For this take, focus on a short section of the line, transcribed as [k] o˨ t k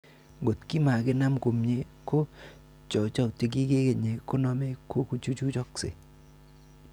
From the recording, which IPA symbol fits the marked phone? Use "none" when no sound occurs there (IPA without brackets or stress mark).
ɡ